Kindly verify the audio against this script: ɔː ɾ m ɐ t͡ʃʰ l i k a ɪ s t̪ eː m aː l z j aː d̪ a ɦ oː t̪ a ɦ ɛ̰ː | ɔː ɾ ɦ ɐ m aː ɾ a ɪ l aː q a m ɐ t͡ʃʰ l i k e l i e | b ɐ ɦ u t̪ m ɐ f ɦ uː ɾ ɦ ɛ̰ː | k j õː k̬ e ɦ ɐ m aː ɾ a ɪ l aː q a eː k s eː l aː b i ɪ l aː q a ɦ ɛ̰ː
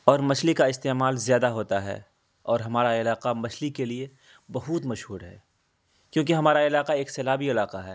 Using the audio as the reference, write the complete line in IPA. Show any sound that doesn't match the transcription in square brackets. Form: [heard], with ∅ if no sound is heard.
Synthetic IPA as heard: ɔː ɾ m ɐ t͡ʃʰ l i k a ɪ s t̪ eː m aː l z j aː d̪ a ɦ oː t̪ a ɦ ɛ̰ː | ɔː ɾ ɦ ɐ m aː ɾ a ɪ l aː q a m ɐ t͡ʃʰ l i k e l i e | b ɐ ɦ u t̪ m ɐ [ʃ] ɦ uː ɾ ɦ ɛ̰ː | k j õː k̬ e ɦ ɐ m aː ɾ a ɪ l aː q a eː k s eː l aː b i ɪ l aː q a ɦ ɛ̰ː

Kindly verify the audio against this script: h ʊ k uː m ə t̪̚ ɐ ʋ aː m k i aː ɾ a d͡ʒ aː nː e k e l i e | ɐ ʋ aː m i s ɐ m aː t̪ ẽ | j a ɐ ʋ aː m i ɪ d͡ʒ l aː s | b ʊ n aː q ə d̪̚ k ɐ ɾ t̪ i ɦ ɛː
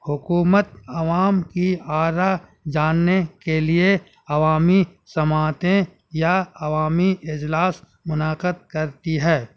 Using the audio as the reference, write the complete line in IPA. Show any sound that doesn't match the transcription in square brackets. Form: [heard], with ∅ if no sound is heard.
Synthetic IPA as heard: h ʊ k uː m ə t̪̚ ɐ ʋ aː m k i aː ɾ a d͡ʒ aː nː e k e l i e | ɐ ʋ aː m i s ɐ m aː t̪ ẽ | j a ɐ ʋ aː m i ɪ d͡ʒ l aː s | [m] ʊ n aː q ə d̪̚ k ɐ ɾ t̪ i ɦ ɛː

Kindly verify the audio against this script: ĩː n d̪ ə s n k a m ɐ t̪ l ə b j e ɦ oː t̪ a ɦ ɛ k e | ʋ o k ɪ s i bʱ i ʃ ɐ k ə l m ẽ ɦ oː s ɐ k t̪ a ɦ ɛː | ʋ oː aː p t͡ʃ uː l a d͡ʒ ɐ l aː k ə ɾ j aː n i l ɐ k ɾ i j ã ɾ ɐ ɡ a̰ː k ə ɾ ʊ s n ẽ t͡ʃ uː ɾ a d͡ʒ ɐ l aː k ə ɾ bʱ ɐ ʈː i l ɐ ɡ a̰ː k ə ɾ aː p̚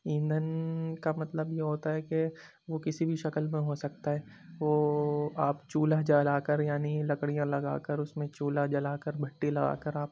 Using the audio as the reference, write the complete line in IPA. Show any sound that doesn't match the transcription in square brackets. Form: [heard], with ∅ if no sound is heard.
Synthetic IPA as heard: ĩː n d̪ ə [∅] n k a m ɐ t̪ l ə b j e ɦ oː t̪ a ɦ ɛ k e | ʋ o k ɪ s i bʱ i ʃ ɐ k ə l m ẽ ɦ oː s ɐ k t̪ a ɦ ɛː | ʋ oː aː p t͡ʃ uː l a d͡ʒ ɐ l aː k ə ɾ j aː n i l ɐ k [ɽ] i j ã [l] ɐ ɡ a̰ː k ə ɾ ʊ s [m] ẽ t͡ʃ uː [l] a d͡ʒ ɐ l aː k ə ɾ bʱ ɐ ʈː i l ɐ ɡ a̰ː k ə ɾ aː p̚

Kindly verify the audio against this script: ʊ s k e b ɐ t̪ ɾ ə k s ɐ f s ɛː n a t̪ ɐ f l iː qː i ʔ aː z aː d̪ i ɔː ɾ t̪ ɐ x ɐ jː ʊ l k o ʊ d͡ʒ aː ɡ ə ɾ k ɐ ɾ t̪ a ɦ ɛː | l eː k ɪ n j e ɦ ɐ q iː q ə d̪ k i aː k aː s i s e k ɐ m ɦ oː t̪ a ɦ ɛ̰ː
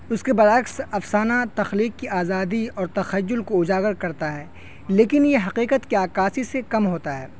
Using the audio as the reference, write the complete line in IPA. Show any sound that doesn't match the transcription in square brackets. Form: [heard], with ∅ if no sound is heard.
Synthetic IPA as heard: ʊ s k e b ɐ [∅] ɾ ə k s ɐ f s [aː] n a t̪ ɐ [x] l iː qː i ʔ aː z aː d̪ i ɔː ɾ t̪ ɐ x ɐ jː ʊ l k o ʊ d͡ʒ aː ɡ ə ɾ k ɐ ɾ t̪ a ɦ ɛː | l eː k ɪ n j e ɦ ɐ q iː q ə [t̪] k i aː k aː s i s e k ɐ m ɦ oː t̪ a ɦ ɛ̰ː

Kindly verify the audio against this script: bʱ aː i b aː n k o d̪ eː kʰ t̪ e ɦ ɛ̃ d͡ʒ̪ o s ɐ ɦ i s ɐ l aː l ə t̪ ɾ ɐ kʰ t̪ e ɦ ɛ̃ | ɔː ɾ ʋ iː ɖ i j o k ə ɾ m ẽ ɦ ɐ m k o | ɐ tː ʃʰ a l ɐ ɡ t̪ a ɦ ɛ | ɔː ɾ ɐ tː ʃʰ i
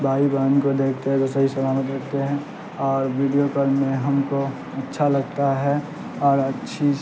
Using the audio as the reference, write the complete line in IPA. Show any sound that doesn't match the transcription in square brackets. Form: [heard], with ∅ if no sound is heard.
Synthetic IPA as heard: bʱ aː i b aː n k o d̪ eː kʰ t̪ e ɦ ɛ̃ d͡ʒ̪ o s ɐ ɦ i s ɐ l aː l ə t̪ ɾ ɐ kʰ t̪ e ɦ ɛ̃ | ɔː ɾ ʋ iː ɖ i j o k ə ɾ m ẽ ɦ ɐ m k o | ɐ tː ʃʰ a l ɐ ɡ t̪ a ɦ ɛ | ɔː ɾ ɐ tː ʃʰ i

